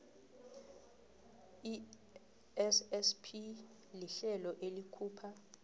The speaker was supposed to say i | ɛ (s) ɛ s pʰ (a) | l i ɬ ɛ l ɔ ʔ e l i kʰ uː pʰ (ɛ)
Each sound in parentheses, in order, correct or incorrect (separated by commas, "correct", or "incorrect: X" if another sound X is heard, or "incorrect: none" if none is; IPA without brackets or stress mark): correct, incorrect: i, incorrect: a